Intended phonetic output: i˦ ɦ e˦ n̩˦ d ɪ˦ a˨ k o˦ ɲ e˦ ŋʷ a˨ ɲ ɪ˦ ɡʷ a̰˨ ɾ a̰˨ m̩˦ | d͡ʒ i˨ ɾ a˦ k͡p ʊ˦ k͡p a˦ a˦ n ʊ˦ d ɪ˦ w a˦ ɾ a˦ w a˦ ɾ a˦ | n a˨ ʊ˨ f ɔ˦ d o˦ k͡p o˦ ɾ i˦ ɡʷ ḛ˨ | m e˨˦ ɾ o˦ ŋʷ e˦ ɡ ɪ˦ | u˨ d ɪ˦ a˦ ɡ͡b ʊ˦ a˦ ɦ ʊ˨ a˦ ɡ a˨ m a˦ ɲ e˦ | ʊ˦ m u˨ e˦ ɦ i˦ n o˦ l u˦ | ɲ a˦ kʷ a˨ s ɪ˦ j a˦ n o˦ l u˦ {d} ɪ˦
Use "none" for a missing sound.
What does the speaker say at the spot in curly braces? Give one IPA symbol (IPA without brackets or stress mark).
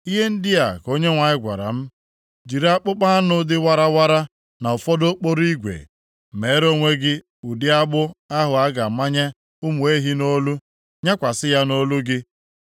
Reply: ɡ